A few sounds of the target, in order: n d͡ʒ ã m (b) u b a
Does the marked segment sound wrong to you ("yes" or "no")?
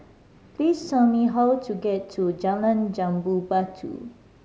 no